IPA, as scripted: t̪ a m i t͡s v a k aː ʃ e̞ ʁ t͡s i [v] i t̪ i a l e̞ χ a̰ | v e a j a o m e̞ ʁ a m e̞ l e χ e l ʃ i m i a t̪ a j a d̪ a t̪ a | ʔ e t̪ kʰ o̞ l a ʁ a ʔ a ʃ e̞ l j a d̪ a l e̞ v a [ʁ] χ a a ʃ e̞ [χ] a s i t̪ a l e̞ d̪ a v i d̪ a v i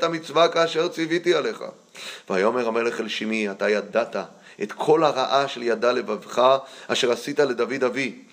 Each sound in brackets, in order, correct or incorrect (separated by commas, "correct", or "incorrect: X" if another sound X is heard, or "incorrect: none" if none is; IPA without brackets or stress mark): correct, incorrect: v, incorrect: ʁ